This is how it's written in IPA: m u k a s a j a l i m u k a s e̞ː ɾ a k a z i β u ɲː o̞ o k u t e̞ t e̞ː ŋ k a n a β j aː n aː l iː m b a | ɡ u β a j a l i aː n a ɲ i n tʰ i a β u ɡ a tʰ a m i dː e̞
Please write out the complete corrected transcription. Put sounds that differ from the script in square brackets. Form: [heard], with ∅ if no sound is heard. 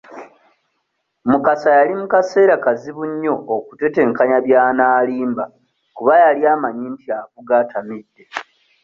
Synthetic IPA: m u k a s a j a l i m u k a s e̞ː ɾ a k a z i β u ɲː o̞ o k u t e̞ t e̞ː ŋ k a [ɲ] a β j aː n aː l iː m b a | [k] u β a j a l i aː [m] a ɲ i n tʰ i a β u ɡ a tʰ a m i dː e̞